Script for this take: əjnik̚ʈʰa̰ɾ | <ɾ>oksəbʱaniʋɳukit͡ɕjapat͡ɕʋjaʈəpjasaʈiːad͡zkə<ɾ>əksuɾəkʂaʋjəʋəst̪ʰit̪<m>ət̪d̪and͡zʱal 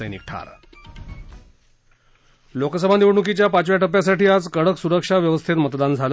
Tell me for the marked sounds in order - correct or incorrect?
incorrect, incorrect, correct

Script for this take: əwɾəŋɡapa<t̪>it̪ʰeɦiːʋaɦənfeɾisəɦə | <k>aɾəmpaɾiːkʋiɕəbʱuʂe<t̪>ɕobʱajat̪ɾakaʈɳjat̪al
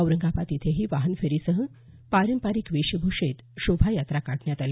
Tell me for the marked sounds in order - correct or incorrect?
correct, incorrect, correct

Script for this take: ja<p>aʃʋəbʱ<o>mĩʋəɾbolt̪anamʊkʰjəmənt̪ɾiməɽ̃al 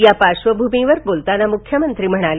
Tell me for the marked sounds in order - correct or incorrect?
correct, incorrect

